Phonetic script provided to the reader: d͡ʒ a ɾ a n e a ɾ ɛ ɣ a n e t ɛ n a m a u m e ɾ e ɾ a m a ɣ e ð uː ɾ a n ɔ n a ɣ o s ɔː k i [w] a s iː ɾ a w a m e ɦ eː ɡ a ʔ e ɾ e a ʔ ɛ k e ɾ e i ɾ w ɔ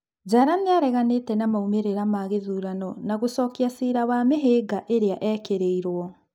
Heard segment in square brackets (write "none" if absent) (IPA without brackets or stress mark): none